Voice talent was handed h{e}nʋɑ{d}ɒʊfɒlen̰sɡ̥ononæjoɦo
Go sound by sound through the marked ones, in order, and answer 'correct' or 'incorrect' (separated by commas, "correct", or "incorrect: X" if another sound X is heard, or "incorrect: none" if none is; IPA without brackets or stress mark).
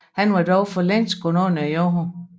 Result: incorrect: æ, correct